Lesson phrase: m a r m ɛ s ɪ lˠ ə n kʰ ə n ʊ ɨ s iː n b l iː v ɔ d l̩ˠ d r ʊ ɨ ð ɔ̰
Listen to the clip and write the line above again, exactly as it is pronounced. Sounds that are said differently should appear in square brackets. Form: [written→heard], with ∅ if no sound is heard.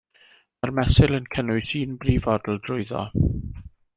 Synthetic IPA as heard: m a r m ɛ s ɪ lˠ ə n kʰ ə n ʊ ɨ s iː n b [l→r] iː v ɔ d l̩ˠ d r ʊ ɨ ð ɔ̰